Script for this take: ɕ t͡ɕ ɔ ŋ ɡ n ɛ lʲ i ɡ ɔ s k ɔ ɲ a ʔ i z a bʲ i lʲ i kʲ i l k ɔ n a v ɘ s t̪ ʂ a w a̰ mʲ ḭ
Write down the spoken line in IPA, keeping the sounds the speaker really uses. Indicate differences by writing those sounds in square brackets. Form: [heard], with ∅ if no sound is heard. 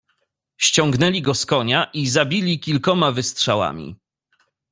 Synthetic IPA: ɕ t͡ɕ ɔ ŋ ɡ n ɛ lʲ i ɡ ɔ s k ɔ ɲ a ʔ i z a bʲ i lʲ i kʲ i l k ɔ [m] a v ɘ s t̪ ʂ a w a̰ mʲ ḭ